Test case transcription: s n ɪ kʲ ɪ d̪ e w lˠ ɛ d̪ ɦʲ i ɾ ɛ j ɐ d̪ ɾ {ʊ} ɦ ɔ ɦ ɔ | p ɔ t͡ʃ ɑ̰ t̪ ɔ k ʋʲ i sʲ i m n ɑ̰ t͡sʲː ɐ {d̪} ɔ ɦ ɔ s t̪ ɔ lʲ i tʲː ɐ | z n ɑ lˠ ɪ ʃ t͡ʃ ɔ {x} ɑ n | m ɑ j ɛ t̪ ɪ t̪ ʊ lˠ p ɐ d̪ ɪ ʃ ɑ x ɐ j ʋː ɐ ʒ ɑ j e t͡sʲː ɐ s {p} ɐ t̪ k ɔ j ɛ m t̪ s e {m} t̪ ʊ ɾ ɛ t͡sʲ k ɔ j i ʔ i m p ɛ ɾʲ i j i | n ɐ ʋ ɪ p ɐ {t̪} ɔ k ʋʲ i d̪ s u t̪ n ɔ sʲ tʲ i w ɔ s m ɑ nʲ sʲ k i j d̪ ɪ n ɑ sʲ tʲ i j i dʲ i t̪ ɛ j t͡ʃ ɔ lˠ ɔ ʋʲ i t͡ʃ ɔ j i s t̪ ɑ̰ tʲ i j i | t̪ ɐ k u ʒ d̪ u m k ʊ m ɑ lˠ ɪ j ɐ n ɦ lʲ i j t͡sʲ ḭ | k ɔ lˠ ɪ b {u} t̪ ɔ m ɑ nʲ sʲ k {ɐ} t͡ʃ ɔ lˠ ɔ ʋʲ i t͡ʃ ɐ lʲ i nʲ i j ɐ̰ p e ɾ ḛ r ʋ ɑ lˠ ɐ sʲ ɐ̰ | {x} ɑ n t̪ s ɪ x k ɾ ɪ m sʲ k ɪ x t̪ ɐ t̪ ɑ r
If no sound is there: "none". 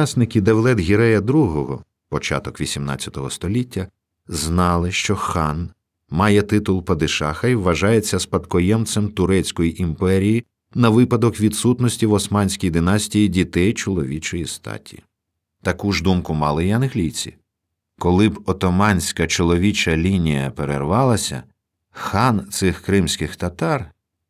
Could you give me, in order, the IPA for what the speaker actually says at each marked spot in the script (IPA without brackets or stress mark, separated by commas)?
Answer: u, t̪, x, p, m, d̪, ɔ, ɐ, x